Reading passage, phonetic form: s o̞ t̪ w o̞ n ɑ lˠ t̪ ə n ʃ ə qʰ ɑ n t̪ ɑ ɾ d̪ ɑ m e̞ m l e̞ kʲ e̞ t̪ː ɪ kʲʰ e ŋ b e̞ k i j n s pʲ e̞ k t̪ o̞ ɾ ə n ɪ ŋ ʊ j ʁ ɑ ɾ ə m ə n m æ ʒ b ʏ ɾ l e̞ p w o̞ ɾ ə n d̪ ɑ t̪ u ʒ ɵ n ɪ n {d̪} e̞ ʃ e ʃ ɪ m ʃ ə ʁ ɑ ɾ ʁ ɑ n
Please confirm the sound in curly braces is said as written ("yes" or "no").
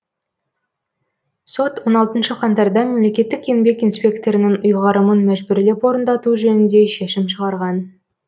yes